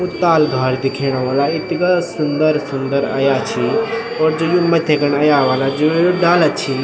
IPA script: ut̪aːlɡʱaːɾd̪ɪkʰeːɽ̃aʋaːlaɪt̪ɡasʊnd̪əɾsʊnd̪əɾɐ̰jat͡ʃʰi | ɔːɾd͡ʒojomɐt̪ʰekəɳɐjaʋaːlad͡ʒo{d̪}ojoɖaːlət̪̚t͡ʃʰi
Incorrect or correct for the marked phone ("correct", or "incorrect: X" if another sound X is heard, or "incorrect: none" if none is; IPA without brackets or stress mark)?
incorrect: none